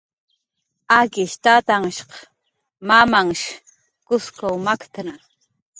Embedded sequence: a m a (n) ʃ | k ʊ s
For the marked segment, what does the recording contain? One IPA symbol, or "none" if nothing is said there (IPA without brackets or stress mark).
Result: ŋ